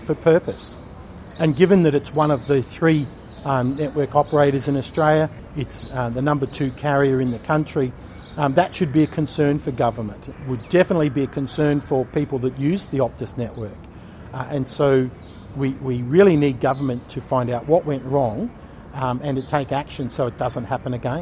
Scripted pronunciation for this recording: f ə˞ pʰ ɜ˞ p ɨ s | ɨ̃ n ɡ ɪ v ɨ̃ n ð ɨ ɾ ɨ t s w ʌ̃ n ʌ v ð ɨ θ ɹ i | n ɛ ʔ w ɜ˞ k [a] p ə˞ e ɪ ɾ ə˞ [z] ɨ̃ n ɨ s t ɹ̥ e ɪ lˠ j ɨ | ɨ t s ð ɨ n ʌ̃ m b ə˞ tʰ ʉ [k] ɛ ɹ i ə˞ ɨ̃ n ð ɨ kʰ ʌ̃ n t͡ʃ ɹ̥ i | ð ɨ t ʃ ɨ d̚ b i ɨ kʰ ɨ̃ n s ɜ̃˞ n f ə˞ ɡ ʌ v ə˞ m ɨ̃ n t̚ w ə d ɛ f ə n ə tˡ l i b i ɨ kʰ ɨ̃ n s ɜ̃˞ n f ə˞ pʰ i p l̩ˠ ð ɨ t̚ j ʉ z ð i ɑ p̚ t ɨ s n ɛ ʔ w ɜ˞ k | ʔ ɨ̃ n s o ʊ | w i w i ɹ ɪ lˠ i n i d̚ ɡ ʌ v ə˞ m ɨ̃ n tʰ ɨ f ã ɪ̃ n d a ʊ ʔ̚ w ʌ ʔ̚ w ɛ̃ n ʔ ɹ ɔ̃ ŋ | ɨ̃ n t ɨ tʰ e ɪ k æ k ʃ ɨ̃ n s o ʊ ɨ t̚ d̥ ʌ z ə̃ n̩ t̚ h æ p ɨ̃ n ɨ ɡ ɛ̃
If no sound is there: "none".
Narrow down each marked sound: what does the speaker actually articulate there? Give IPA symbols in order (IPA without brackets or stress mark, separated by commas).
ɑ, z, kʰ